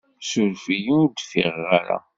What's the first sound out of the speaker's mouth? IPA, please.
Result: s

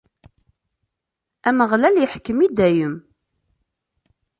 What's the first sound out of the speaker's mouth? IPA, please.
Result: æ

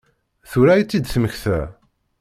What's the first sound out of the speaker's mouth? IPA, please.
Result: θ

